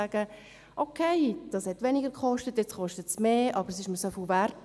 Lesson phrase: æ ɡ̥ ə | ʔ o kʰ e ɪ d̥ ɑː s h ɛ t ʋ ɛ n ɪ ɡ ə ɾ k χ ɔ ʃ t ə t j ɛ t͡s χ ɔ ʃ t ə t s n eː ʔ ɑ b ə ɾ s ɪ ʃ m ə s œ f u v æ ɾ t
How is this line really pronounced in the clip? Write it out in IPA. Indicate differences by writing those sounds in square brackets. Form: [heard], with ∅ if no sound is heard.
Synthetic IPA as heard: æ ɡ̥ ə | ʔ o kʰ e ɪ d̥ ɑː s h ɛ t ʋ ɛ n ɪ ɡ ə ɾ k χ ɔ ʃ t ə t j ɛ t͡s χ ɔ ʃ t ə t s [m] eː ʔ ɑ b ə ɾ s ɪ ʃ m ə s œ f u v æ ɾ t